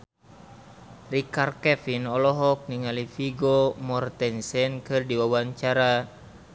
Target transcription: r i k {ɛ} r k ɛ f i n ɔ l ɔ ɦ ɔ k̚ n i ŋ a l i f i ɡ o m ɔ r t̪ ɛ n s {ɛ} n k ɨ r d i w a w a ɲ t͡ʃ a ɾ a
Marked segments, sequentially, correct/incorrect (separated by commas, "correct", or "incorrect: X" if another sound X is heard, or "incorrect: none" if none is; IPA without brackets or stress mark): incorrect: a, correct